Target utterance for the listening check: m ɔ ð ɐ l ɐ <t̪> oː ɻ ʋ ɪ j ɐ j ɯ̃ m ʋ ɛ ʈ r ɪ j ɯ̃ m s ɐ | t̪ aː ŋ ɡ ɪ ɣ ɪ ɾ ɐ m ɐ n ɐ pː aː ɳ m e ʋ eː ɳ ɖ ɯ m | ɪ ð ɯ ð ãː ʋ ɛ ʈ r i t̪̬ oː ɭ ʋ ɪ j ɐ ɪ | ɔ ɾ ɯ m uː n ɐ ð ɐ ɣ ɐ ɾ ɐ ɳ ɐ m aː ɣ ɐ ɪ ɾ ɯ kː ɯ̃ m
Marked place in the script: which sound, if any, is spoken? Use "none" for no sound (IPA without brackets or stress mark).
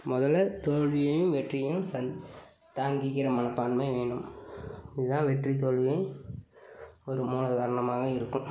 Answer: t̪